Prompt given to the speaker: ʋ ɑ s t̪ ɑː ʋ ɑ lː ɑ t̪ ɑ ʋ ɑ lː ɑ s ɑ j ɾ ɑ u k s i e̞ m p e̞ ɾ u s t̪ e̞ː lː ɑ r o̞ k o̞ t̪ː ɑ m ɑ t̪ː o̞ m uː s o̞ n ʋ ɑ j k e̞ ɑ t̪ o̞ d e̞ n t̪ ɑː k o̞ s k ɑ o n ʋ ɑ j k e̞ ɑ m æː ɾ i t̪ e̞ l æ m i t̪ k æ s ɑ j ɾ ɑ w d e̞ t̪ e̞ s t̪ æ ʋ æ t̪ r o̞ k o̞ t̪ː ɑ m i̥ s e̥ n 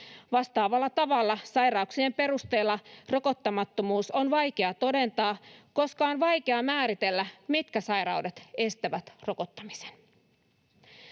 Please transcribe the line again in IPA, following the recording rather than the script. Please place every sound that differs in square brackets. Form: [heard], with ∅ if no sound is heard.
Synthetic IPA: ʋ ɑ s t̪ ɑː ʋ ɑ lː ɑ t̪ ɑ ʋ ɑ lː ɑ s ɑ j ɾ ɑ u k s i e̞ m p e̞ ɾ u s t̪ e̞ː lː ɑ r o̞ k o̞ t̪ː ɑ m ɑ t̪ː o̞ m uː s o̞ n ʋ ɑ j k e̞ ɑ t̪ o̞ d e̞ n t̪ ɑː k o̞ s k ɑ o n ʋ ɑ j k e̞ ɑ m æː ɾ i t̪ e̞ [lː] æ m i t̪ k æ s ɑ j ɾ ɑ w d e̞ t̪ e̞ s t̪ æ ʋ æ t̪ r o̞ k o̞ t̪ː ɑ m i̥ s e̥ n